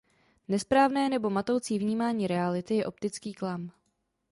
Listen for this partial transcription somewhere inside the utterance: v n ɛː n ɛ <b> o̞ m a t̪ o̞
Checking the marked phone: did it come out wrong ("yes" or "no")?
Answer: no